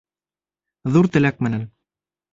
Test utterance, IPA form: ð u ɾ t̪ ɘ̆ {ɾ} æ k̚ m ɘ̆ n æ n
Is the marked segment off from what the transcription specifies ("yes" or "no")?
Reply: yes